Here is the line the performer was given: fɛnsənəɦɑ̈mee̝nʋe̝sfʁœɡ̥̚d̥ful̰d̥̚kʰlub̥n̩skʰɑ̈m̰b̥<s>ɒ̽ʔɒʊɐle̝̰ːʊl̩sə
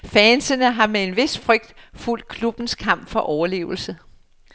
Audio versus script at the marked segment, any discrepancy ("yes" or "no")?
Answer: yes